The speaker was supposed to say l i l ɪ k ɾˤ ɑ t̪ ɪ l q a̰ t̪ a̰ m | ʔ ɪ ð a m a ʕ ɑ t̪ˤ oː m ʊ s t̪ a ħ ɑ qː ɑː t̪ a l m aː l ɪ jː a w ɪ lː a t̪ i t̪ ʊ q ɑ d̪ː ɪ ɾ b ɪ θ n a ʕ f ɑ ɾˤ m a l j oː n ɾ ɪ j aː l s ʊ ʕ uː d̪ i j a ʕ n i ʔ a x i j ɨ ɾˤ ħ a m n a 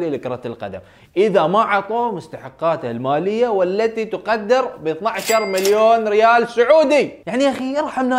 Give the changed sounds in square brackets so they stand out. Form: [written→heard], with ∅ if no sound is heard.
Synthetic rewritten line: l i l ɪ k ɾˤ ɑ t̪ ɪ l q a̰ [t̪→d̪] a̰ m | ʔ ɪ ð a m a ʕ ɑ t̪ˤ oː m ʊ s t̪ a ħ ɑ qː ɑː t̪ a l m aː l ɪ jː a w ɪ lː a t̪ i t̪ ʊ q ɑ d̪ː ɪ ɾ b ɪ θ n a ʕ [f→ʃ] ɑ ɾˤ m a l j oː n ɾ ɪ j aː l s ʊ ʕ uː d̪ i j a ʕ n i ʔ a x i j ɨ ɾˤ ħ a m n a